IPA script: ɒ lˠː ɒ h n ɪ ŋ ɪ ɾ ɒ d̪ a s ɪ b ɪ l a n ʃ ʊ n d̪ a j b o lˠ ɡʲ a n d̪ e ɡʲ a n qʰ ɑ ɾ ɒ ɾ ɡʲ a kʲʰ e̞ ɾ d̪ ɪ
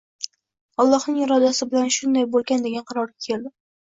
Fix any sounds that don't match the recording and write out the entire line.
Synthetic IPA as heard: ɒ lˠː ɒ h n ɪ ŋ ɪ ɾ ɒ d̪ a s ɪ b ɪ l a n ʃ ʊ n d̪ a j b o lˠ ɡʲ a n d̪ e ɡʲ a n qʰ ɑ ɾ ɒ ɾ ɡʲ a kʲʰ e̞ l d̪ ɪ